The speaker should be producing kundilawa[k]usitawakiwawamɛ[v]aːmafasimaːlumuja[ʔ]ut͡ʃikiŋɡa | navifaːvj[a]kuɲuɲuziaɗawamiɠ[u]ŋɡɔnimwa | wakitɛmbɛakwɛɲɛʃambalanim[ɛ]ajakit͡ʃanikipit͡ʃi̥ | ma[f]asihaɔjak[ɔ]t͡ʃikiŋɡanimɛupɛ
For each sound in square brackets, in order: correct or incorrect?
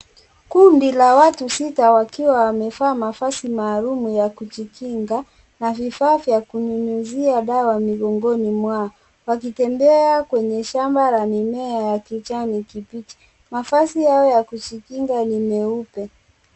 incorrect, incorrect, incorrect, correct, incorrect, correct, correct, incorrect

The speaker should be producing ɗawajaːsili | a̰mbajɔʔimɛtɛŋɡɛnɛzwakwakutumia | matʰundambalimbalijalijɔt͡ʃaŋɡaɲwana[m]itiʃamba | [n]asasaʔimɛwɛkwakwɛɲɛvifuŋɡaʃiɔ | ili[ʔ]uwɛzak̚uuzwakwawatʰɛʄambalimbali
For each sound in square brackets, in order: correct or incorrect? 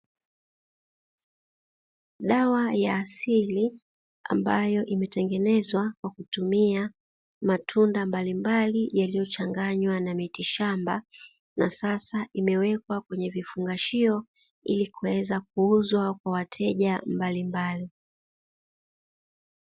correct, correct, incorrect

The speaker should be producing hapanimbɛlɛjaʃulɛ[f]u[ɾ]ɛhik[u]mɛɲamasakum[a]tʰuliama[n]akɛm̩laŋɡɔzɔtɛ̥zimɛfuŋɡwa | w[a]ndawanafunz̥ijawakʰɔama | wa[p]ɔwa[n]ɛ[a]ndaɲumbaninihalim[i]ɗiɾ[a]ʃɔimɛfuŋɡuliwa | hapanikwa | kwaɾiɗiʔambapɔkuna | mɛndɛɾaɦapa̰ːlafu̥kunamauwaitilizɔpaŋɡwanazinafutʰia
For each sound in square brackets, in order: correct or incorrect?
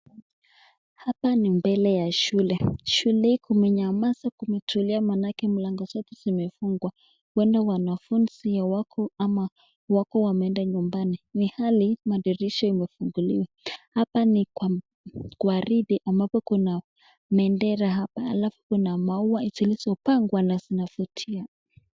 incorrect, incorrect, correct, incorrect, correct, incorrect, incorrect, incorrect, incorrect, incorrect, incorrect

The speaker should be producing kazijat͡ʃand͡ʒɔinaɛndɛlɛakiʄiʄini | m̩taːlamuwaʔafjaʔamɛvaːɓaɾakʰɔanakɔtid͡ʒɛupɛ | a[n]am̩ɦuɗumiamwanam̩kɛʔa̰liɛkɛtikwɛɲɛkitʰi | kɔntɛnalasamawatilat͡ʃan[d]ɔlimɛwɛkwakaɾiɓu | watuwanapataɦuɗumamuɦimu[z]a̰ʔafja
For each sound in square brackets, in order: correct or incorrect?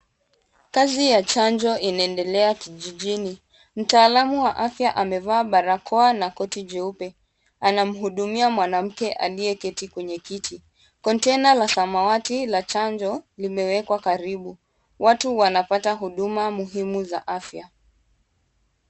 correct, incorrect, correct

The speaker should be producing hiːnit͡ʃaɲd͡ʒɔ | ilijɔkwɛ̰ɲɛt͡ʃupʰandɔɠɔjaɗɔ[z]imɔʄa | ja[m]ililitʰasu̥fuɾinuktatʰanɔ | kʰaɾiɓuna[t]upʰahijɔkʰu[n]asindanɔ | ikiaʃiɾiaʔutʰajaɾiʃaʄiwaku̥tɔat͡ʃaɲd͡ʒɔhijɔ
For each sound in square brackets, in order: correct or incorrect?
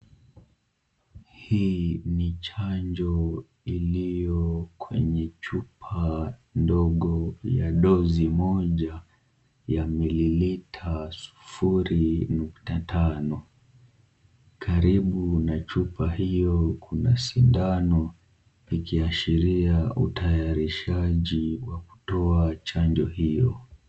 correct, correct, incorrect, correct

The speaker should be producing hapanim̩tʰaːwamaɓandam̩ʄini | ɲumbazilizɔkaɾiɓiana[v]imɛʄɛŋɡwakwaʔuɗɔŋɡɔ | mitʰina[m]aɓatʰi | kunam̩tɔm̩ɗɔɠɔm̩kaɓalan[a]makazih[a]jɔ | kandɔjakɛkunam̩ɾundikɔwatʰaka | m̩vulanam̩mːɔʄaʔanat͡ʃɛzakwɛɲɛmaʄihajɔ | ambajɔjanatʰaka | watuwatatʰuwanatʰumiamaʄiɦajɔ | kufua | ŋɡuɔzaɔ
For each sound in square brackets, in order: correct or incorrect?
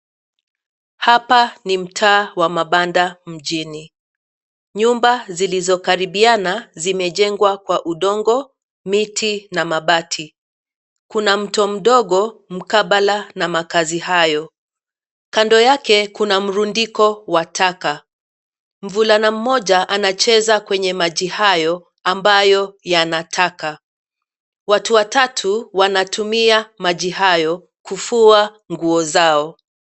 incorrect, correct, correct, correct

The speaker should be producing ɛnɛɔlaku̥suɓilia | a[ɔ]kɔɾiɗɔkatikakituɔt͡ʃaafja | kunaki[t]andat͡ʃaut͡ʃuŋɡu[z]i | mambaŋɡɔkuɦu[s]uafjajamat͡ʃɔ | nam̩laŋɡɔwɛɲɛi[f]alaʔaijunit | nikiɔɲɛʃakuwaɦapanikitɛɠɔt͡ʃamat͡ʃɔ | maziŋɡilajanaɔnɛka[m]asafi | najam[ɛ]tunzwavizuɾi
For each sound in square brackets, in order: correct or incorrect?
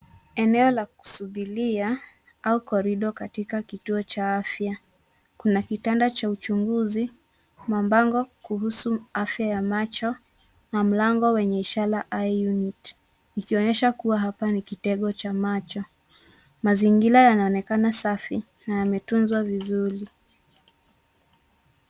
incorrect, correct, correct, correct, incorrect, incorrect, correct

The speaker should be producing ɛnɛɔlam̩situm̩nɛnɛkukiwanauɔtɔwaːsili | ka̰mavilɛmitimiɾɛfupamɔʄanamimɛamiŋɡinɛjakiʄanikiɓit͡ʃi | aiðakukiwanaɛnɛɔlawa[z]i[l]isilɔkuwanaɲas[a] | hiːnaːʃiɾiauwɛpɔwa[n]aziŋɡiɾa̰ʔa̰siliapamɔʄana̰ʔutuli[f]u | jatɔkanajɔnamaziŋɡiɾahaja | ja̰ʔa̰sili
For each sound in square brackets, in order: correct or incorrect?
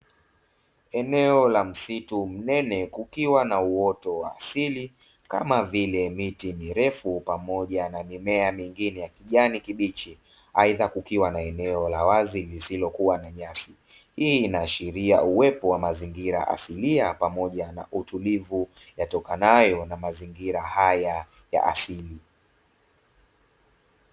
correct, correct, incorrect, incorrect, incorrect

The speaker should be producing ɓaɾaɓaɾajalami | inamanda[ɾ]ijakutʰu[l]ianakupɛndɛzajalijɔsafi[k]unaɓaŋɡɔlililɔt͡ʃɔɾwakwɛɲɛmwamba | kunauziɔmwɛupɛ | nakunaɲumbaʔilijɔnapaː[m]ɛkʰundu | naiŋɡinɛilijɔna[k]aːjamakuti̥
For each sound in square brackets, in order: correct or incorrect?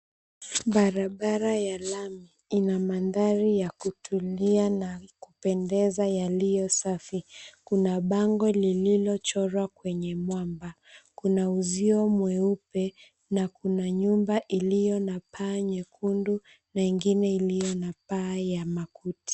correct, correct, correct, incorrect, incorrect

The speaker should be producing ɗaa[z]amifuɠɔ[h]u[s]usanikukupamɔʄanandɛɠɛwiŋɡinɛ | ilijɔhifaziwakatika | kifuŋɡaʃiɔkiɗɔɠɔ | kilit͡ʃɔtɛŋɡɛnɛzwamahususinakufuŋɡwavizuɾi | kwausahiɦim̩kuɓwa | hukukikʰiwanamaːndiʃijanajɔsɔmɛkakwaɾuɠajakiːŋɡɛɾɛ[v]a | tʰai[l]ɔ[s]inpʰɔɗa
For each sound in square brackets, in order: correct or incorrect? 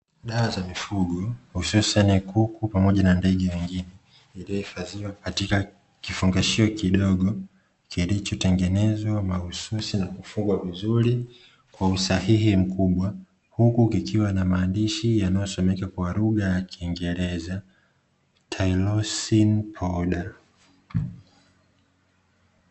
correct, correct, correct, incorrect, correct, correct

